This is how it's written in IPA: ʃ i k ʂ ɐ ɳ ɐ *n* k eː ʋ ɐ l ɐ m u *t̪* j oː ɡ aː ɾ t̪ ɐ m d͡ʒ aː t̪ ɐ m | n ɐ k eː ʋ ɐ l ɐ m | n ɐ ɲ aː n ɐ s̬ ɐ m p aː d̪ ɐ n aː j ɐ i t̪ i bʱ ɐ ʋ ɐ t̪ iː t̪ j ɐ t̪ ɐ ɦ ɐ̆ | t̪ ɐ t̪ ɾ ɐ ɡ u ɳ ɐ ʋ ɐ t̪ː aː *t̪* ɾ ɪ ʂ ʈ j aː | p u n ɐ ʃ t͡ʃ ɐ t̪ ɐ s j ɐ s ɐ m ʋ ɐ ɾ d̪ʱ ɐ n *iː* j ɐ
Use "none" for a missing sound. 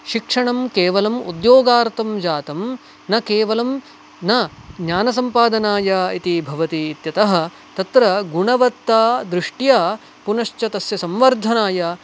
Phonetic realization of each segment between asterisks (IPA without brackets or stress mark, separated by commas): m, d̪, d̪, aː